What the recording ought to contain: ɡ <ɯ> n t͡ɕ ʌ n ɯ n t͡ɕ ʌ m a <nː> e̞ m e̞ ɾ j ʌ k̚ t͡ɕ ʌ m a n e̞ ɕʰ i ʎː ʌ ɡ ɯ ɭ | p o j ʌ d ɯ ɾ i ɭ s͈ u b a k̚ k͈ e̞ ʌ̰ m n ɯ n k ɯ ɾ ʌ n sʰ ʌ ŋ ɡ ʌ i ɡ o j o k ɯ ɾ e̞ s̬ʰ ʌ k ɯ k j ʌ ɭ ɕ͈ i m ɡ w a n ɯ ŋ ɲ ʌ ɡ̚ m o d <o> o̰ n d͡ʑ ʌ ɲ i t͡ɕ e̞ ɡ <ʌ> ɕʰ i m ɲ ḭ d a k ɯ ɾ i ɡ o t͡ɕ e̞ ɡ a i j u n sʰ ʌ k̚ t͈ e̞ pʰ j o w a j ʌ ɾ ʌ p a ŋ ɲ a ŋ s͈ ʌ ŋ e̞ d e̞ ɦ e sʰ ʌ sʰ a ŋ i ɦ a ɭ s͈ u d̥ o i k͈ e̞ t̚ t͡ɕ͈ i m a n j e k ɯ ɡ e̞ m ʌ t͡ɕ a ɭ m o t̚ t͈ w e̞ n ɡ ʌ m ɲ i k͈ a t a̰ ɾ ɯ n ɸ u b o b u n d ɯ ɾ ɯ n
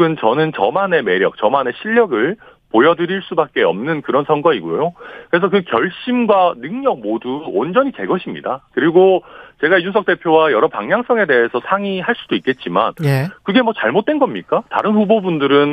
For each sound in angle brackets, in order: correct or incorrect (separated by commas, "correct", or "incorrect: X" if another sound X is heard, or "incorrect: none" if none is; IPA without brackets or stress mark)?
correct, incorrect: n, incorrect: u, correct